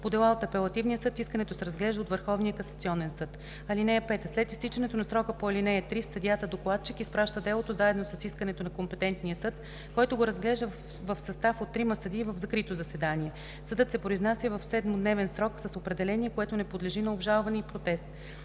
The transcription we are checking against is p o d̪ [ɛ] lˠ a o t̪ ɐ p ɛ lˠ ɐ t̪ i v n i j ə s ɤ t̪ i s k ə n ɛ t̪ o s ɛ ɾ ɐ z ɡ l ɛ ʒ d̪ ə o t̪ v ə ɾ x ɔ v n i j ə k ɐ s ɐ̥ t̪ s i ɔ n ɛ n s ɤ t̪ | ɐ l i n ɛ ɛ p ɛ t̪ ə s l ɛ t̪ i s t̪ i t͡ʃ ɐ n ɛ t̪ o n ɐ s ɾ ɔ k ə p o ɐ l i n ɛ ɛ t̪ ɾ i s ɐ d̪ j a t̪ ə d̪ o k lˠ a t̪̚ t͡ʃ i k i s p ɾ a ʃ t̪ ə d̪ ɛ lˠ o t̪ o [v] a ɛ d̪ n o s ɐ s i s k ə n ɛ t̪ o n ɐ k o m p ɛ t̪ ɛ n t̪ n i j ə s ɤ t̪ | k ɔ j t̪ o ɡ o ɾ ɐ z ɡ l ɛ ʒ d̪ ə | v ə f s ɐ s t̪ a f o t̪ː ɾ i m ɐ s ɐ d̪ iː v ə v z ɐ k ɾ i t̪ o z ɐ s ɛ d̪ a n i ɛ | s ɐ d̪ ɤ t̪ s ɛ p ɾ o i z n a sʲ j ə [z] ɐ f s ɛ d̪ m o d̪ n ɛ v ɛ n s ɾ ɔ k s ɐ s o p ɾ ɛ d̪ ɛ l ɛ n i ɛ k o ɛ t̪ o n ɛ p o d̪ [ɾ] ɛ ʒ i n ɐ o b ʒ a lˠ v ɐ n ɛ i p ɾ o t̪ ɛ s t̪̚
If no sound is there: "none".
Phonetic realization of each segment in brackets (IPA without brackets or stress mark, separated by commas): ɛ, z, v, l